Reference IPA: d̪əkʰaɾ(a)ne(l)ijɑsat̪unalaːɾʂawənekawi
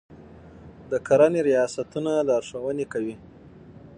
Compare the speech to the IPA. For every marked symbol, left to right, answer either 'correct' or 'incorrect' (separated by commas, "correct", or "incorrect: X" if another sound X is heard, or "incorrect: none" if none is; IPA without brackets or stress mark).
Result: correct, incorrect: ɾ